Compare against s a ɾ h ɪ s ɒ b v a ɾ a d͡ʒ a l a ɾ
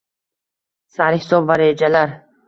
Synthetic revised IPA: s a ɾ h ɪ s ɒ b v a ɾ e d͡ʒ a l a ɾ